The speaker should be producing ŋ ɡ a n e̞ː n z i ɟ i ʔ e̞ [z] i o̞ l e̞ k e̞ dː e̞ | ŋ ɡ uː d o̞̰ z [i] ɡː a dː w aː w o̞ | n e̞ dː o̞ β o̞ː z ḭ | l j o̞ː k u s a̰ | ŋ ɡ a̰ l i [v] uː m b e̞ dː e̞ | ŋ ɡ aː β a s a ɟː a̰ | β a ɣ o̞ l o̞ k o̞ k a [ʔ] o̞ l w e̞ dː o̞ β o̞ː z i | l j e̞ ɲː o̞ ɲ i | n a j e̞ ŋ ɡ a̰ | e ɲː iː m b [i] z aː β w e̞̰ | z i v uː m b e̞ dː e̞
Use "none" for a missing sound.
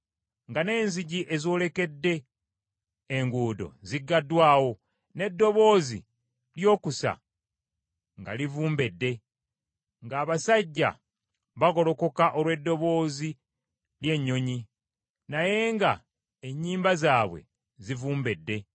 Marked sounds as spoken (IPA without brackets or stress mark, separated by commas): z, i, v, ʔ, a